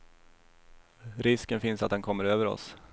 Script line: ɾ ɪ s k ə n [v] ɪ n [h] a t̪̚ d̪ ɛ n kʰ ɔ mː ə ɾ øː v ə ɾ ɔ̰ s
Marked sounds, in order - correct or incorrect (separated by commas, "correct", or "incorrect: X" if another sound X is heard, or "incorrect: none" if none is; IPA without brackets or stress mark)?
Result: incorrect: f, incorrect: s